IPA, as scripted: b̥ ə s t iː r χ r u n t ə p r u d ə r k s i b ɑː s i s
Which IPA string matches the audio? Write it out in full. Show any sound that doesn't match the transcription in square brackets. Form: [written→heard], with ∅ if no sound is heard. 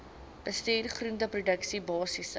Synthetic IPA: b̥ ə s t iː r χ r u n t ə p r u d ə [r→∅] k s i b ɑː s i s